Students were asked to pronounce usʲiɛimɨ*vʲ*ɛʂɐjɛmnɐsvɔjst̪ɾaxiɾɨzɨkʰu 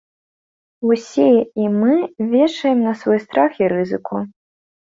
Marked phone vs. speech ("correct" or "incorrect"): correct